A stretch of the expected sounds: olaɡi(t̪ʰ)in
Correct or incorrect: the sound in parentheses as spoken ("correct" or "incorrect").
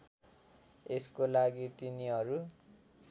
incorrect